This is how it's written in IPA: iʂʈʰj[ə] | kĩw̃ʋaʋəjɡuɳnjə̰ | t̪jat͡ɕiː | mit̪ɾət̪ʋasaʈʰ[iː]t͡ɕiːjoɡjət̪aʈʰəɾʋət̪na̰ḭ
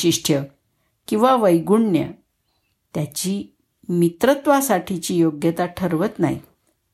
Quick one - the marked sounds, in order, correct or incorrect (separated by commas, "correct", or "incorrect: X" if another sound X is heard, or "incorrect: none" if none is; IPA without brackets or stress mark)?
correct, incorrect: i